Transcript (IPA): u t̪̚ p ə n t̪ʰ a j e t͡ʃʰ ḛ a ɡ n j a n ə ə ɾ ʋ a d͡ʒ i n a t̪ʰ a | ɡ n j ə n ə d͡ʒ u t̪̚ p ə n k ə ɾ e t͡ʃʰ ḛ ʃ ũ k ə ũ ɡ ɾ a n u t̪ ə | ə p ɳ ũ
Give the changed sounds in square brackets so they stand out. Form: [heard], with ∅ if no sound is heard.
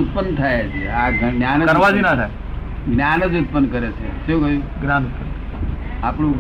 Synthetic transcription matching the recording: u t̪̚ p ə n t̪ʰ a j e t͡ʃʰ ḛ a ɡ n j a n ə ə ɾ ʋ a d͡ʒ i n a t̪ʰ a | ɡ n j [a] n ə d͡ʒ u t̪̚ p ə n k ə ɾ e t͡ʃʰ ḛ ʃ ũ k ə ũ ɡ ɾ a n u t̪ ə | [a] p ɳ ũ